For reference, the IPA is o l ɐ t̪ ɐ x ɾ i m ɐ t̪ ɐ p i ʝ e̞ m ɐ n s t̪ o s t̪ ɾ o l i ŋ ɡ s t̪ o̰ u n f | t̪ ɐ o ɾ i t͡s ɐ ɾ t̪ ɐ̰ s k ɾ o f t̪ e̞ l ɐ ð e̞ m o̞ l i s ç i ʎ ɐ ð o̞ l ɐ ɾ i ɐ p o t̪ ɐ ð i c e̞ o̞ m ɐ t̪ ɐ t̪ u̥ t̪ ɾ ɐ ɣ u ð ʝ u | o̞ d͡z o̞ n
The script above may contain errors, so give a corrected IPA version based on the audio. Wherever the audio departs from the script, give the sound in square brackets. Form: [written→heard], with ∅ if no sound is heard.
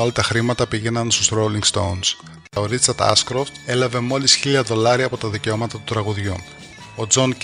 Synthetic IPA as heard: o l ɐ t̪ ɐ x ɾ i m ɐ t̪ ɐ p i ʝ e̞ [m→n] ɐ n s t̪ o s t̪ ɾ o l i ŋ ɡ s t̪ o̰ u n [f→s] | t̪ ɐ o ɾ i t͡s ɐ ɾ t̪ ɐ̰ s k ɾ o f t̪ e̞ l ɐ [ð→v] e̞ m o̞ l i s ç i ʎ ɐ ð o̞ l ɐ ɾ i ɐ p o t̪ ɐ ð i c e̞ o̞ m ɐ t̪ ɐ t̪ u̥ t̪ ɾ ɐ ɣ u ð ʝ u | o̞ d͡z o̞ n